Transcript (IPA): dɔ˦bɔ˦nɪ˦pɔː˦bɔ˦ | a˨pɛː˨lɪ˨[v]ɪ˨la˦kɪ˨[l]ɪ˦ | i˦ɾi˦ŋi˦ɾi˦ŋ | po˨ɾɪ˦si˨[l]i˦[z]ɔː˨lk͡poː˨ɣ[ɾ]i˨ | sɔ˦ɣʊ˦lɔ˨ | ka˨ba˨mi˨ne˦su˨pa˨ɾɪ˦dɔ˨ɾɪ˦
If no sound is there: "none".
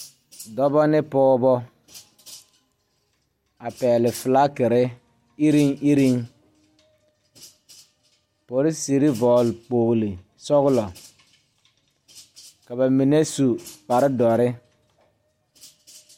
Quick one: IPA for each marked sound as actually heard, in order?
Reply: f, ɾ, ɾ, v, l

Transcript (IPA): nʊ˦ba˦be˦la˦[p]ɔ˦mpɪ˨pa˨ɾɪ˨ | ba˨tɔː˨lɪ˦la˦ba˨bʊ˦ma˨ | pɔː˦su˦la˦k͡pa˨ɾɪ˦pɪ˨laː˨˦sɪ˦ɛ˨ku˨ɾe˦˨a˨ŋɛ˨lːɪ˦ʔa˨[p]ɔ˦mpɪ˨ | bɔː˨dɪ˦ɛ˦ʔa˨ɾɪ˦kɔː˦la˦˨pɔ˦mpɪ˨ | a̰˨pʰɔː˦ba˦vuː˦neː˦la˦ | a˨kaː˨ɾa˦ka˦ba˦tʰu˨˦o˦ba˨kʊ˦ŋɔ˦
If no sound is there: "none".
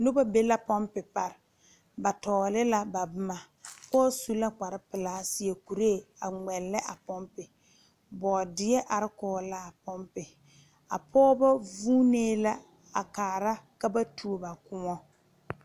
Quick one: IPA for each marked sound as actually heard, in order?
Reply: p, p

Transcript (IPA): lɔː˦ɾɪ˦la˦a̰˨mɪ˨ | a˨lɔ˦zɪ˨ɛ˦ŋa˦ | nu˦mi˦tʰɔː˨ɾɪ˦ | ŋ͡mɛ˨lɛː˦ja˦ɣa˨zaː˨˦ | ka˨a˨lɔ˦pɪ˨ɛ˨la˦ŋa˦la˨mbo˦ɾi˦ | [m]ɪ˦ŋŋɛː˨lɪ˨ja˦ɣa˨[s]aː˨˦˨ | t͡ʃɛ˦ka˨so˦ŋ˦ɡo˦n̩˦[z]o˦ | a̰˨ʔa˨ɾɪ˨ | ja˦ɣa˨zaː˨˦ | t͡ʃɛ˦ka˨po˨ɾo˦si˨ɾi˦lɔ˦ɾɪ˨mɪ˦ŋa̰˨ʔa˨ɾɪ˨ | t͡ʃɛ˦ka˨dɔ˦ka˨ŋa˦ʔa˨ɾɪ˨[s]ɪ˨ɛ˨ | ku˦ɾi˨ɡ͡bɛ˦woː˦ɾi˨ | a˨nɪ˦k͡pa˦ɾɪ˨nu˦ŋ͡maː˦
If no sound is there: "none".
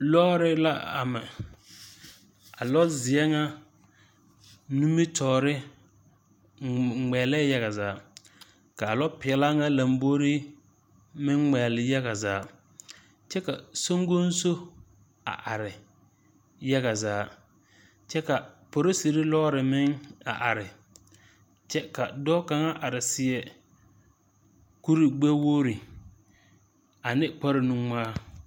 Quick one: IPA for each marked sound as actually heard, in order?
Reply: m, z, s, s

